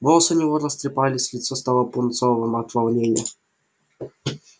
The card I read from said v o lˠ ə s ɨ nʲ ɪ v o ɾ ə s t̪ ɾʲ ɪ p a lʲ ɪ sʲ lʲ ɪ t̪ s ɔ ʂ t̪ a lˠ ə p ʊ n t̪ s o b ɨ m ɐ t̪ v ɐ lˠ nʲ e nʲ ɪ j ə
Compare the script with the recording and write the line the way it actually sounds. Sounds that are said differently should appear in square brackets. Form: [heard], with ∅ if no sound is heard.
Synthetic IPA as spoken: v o lˠ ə s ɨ nʲ ɪ v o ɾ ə s t̪ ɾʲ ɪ p a lʲ ɪ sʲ lʲ ɪ t̪ s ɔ [s] t̪ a lˠ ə p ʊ n t̪ s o [v] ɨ m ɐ t̪ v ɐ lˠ nʲ e nʲ ɪ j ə